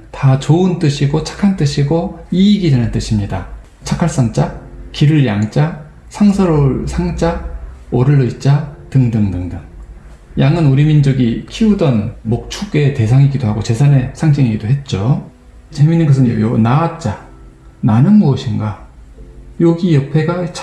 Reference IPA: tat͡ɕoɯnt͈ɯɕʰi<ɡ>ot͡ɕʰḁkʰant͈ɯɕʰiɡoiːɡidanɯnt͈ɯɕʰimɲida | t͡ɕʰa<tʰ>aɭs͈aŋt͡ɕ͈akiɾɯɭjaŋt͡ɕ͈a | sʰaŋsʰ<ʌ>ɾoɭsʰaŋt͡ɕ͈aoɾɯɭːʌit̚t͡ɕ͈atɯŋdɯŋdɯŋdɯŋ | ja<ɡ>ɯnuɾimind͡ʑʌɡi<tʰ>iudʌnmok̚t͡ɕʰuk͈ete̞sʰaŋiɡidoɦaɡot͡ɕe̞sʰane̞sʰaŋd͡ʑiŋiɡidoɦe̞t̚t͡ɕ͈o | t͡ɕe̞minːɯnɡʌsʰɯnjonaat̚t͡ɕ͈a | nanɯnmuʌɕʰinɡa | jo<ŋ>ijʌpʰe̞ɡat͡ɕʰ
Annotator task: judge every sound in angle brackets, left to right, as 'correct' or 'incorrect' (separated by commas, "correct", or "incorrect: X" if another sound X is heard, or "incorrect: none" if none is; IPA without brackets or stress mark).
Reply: correct, incorrect: kʰ, correct, incorrect: ŋ, incorrect: kʰ, incorrect: ɡ